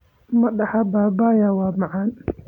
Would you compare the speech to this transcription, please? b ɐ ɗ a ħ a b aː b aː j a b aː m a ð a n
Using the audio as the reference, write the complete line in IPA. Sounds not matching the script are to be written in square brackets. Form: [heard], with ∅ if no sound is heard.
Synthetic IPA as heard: [m] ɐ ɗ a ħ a b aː b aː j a [w] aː m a [ʕ] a n